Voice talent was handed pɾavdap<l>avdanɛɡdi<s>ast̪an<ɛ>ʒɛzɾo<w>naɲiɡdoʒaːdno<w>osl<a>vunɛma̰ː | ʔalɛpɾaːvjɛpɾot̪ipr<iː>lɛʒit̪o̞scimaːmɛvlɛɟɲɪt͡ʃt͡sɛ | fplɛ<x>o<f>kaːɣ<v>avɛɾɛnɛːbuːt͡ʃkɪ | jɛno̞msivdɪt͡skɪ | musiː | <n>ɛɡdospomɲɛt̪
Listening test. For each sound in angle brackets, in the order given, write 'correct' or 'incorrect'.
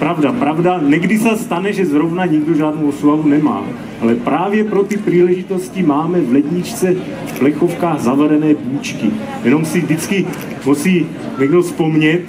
incorrect: ɾ, correct, correct, incorrect: v, correct, correct, correct, correct, correct, incorrect: z, incorrect: ɲ

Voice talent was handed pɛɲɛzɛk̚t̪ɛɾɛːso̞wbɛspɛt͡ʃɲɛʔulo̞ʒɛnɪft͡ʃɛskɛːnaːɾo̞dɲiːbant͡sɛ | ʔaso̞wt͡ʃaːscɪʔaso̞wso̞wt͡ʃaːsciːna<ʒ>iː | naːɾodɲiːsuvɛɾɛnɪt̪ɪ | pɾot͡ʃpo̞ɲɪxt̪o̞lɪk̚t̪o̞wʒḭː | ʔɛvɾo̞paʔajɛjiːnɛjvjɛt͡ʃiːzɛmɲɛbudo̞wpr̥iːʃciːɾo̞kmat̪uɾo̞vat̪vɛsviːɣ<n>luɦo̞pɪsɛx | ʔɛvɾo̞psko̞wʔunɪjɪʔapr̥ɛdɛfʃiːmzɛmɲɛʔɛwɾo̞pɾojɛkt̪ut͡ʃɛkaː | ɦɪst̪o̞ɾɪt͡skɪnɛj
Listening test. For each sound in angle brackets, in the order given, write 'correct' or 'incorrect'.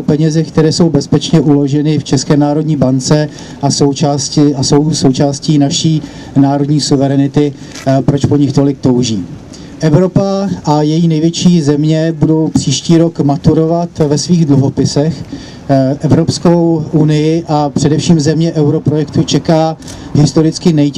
incorrect: ʃ, incorrect: d

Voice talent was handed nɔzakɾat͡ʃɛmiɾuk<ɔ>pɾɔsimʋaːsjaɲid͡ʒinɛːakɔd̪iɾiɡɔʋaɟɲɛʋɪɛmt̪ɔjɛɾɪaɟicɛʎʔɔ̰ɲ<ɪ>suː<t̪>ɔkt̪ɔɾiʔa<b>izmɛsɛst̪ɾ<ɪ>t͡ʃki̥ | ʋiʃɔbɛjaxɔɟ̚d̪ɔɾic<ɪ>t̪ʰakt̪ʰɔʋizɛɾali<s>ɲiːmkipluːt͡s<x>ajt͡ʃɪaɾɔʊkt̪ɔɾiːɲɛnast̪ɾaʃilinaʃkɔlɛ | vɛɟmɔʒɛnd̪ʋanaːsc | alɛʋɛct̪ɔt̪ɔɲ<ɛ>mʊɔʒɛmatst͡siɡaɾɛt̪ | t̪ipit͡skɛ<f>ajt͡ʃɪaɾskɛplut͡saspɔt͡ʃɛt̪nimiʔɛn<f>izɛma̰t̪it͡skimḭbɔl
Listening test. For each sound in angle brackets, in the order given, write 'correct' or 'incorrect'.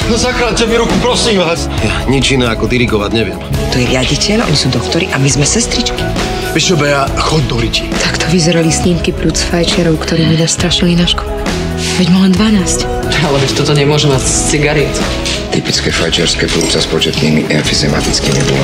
incorrect: u, incorrect: i, incorrect: d̪, incorrect: m, incorrect: i, incorrect: i, correct, incorrect: f, correct, correct, correct

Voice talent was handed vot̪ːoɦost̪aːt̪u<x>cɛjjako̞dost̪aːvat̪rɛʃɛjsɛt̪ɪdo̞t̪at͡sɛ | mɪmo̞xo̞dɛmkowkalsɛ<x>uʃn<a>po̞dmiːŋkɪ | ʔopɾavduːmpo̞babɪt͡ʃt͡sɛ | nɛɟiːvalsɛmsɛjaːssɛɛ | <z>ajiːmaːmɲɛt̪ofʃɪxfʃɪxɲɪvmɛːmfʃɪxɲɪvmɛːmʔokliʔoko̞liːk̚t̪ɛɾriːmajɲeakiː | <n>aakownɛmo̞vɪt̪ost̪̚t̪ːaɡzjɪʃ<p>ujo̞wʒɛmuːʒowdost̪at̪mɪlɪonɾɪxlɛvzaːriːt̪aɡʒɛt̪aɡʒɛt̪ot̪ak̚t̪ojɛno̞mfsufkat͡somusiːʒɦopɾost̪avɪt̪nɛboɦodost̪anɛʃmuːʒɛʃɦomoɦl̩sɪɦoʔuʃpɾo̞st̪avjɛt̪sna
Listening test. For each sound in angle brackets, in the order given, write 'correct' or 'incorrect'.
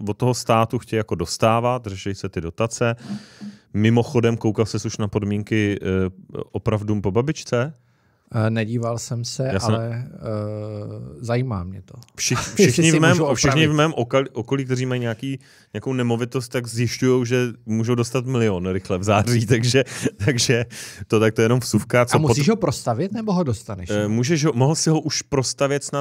correct, incorrect: s, correct, correct, incorrect: ɲ, incorrect: c

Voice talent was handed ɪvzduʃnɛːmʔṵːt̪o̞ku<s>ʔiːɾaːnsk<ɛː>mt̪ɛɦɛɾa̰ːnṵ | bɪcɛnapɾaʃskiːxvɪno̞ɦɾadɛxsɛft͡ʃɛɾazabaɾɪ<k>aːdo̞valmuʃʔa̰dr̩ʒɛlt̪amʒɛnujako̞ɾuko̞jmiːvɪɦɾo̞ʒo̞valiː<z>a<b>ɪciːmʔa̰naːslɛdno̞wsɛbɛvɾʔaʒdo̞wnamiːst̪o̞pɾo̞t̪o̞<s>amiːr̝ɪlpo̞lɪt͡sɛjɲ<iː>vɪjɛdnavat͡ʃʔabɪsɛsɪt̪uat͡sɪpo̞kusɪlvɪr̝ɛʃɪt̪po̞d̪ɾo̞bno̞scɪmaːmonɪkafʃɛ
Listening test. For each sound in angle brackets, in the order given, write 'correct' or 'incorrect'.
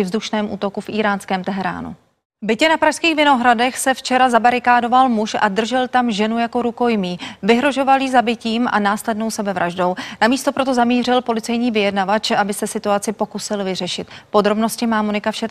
incorrect: f, correct, correct, correct, correct, incorrect: z, correct

